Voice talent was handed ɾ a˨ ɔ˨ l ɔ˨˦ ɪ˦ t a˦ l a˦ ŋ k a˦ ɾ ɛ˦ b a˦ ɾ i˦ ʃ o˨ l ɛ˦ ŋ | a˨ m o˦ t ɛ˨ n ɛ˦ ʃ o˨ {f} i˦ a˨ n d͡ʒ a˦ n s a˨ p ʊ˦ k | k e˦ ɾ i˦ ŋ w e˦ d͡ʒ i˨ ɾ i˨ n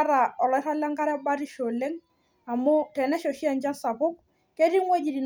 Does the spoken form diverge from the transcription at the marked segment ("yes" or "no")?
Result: yes